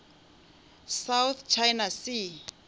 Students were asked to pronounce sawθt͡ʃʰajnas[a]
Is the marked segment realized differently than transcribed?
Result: yes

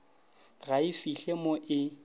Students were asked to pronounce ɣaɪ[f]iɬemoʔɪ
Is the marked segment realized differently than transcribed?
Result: no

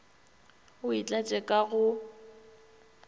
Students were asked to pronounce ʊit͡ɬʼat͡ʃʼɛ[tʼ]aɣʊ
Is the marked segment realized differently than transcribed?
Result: yes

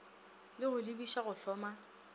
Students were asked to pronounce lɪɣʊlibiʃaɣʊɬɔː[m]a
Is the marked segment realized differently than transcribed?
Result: no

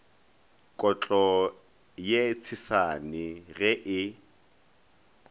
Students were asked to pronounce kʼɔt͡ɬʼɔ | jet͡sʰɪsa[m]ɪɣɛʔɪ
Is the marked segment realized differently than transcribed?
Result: yes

